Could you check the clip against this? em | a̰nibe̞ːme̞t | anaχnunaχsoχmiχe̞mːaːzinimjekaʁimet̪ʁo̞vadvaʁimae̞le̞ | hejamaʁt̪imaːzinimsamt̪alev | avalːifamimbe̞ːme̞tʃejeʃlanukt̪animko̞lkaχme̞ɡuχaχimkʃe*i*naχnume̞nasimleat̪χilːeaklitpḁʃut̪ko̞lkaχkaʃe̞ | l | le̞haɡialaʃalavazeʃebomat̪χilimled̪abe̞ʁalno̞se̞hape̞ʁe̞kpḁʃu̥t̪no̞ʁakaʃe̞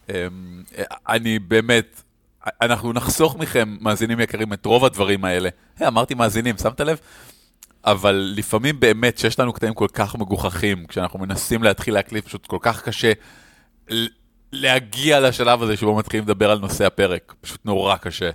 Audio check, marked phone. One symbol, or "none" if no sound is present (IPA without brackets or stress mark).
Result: a